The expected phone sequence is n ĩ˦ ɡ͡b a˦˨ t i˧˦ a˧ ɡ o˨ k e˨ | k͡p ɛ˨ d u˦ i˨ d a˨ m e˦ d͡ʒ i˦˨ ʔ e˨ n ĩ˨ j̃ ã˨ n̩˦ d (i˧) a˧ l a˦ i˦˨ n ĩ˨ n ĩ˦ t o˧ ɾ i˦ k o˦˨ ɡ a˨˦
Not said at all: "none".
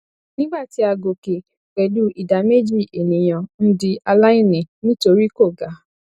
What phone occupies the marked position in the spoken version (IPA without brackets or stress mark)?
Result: i˧